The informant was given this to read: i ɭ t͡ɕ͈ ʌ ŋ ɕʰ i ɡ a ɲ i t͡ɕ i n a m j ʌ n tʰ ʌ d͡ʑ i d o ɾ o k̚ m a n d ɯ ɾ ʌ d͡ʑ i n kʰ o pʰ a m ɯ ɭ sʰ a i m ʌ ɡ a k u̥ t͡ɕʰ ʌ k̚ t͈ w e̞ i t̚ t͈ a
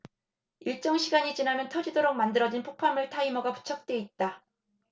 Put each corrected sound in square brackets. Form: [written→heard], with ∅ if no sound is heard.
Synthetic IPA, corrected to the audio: i ɭ t͡ɕ͈ ʌ ŋ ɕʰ i ɡ a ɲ i t͡ɕ i n a m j ʌ n tʰ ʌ d͡ʑ i d o ɾ o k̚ m a n d ɯ ɾ ʌ d͡ʑ i n [kʰ→pʰ] o pʰ a m ɯ ɭ [sʰ→tʰ] a i m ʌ ɡ a [k→p] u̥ t͡ɕʰ ʌ k̚ t͈ w e̞ i t̚ t͈ a